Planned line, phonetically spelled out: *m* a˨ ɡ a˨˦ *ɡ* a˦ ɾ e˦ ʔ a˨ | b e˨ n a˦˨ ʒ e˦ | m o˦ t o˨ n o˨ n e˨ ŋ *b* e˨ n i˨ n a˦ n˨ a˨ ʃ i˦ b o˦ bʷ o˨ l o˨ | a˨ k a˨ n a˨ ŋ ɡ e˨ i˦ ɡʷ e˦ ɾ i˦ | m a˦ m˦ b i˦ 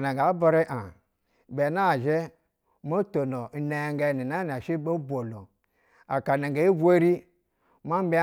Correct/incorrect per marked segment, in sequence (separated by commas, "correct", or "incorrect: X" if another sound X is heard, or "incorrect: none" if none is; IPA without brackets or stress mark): incorrect: n, incorrect: b, incorrect: ɡ